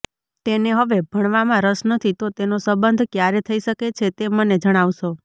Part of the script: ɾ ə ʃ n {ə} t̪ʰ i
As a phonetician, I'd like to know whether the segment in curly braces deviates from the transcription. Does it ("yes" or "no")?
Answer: no